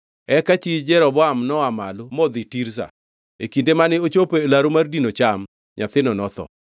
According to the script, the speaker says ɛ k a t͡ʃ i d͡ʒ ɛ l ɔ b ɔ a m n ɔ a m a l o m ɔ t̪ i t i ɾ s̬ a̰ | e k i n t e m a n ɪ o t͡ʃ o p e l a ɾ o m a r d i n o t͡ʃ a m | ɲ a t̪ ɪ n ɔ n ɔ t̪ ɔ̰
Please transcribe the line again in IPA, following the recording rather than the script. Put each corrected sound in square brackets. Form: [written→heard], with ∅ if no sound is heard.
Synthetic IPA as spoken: ɛ k a t͡ʃ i d͡ʒ ɛ [l→ɾ] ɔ b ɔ a m n ɔ a m a l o m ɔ [t̪→d̪] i t i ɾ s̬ a̰ | e k i n [t→d] e m a n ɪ o t͡ʃ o p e l a ɾ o m a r d i n o t͡ʃ a m | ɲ a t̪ ɪ n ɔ n ɔ t̪ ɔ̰